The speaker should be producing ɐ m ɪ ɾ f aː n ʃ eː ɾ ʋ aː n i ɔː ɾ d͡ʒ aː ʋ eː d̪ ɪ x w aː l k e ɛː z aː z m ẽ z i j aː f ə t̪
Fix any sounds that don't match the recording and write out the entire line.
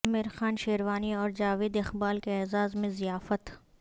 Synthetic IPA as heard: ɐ m ɪ ɾ x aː n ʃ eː ɾ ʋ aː n i ɔː ɾ d͡ʒ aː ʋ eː d̪ ɪ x b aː l k e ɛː z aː z m ẽ z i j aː f ə t̪